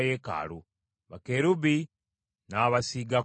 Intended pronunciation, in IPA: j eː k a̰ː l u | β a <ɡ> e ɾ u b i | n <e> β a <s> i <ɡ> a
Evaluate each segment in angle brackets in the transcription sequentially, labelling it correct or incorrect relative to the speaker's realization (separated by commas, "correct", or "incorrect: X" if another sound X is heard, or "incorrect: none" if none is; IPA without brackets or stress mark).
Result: incorrect: k, incorrect: a, correct, correct